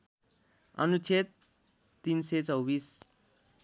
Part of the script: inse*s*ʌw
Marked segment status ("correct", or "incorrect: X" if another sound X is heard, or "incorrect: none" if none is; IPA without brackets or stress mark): incorrect: t͡s